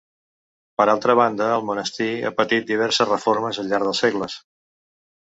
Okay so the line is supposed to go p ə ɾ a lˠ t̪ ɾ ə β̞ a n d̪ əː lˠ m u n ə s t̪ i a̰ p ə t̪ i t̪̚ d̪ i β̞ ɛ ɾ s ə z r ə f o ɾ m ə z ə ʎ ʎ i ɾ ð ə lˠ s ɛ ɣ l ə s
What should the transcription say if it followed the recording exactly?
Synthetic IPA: p ə ɾ a lˠ t̪ ɾ ə β̞ a n d̪ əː lˠ m u n ə s t̪ i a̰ p ə t̪ i t̪̚ d̪ i β̞ ɛ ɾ s ə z r ə f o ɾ m ə z ə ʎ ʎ a ɾ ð ə lˠ s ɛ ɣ l ə s